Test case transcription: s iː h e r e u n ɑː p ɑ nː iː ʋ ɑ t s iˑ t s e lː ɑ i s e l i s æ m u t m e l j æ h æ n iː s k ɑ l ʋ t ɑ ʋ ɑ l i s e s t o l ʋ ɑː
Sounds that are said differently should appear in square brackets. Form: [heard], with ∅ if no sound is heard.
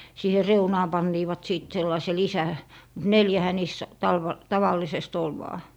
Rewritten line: s iː h e r e u n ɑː p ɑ nː iː ʋ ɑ t s iˑ t s e lː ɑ i s e l i s æ m u t [n] e l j æ h æ n iː s [t] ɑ l ʋ t ɑ ʋ ɑ [lː] i s e s t o l ʋ ɑː